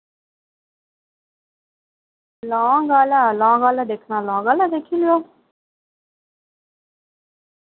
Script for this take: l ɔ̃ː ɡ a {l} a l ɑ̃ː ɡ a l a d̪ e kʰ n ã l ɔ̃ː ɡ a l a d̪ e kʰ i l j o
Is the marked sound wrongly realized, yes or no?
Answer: no